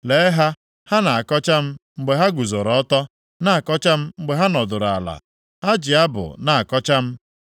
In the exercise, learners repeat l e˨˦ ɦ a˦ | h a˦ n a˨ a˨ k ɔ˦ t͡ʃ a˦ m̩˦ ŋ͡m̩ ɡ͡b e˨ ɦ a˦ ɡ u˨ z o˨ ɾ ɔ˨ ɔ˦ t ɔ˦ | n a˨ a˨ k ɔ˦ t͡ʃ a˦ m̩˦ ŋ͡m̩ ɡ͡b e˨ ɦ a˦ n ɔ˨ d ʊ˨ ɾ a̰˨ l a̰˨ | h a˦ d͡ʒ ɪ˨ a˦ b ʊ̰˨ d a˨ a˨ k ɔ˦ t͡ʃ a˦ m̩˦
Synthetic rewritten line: l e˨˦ ɦ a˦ | h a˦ n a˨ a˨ k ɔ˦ t͡ʃ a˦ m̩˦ ŋ͡m̩ ɡ͡b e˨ ɦ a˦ ɡ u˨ z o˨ ɾ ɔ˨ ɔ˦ t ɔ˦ | n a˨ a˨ k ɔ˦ t͡ʃ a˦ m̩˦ ŋ͡m̩ ɡ͡b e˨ ɦ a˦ n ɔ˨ d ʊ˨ ɾ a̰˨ l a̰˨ | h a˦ d͡ʒ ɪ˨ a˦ b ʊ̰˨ n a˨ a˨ k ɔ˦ t͡ʃ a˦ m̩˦